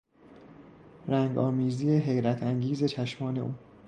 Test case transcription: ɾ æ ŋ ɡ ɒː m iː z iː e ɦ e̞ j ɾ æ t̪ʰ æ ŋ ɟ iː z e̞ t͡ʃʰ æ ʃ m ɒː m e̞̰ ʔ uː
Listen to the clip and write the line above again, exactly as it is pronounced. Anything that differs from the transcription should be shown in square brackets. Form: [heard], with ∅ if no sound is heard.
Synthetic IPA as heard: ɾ æ ŋ ɡ ɒː m iː z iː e ɦ e̞ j ɾ æ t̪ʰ æ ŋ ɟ iː z e̞ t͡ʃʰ æ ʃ m ɒː [n] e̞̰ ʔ uː